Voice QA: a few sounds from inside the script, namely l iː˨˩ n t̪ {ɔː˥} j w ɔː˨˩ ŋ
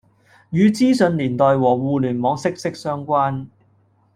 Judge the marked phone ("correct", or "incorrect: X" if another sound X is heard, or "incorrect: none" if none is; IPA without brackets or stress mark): incorrect: ɔː˨